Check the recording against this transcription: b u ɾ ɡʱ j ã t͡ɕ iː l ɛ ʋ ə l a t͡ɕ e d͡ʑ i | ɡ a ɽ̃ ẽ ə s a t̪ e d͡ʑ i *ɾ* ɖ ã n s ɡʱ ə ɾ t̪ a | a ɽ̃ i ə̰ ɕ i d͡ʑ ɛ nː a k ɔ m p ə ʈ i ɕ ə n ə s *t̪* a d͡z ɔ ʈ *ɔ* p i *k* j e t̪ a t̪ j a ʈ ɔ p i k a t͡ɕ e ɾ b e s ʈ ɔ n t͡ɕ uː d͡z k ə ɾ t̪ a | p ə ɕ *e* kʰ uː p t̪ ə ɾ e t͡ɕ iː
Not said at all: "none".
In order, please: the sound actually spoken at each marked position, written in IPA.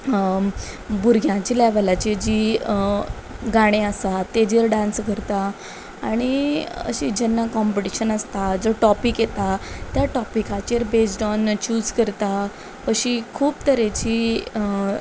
ɾ, t̪, ɔ, k, i

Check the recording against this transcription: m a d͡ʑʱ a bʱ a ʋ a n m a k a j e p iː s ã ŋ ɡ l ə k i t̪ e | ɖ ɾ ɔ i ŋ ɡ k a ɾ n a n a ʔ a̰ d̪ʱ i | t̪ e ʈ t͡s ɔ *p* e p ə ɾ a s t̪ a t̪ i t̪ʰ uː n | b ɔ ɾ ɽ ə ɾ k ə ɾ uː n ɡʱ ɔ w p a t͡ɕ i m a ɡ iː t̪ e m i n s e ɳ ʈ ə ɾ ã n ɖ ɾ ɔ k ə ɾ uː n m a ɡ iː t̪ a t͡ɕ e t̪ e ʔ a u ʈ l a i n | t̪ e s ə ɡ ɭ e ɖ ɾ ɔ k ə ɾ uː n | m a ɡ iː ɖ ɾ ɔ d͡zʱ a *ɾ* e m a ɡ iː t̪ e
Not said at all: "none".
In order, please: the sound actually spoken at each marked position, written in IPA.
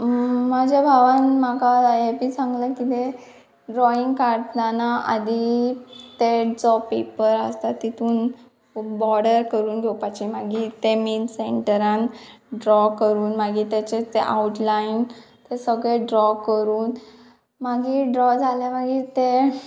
p, l

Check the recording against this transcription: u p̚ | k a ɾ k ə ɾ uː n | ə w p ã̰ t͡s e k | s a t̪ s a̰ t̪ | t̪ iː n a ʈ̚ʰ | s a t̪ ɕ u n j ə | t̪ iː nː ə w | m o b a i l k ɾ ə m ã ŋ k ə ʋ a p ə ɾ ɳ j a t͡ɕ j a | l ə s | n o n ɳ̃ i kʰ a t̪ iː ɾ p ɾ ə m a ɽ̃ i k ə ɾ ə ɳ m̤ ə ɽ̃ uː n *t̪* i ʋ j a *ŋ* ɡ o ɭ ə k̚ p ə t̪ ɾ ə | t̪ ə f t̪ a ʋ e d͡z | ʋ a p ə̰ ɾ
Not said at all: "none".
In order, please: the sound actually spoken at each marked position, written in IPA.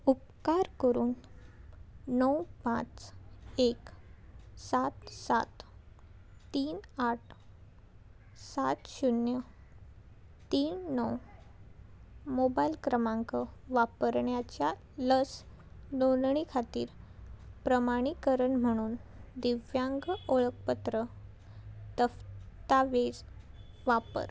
d̪, ŋ

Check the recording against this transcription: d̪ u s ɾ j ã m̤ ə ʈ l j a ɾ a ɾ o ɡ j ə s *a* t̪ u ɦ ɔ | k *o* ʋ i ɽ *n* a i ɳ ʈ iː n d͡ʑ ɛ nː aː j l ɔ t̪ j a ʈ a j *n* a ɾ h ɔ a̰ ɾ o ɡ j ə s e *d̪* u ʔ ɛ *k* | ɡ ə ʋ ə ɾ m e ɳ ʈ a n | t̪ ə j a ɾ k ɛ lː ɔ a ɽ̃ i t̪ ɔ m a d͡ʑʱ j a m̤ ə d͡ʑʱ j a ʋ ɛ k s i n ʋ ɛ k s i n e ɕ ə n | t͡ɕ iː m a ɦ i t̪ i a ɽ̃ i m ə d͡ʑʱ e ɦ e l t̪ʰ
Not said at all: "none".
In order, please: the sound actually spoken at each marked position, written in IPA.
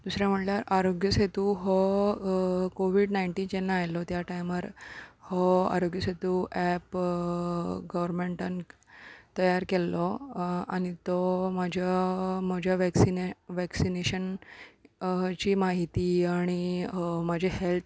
e, o, n, m, t̪, p

